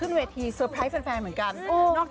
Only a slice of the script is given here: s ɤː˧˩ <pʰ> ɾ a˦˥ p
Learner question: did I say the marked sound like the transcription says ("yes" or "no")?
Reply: yes